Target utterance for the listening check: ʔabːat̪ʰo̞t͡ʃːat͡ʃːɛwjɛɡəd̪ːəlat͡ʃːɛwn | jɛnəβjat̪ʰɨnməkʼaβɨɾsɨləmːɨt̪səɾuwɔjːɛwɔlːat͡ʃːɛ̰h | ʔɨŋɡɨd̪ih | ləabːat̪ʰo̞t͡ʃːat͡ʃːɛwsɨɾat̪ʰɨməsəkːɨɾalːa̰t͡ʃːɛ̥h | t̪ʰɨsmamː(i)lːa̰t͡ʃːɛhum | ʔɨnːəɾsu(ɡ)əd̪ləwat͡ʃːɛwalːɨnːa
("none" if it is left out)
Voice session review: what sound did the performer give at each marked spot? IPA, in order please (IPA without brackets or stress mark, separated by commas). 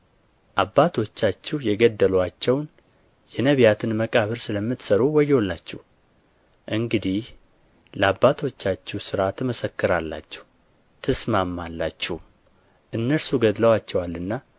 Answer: a, ɡ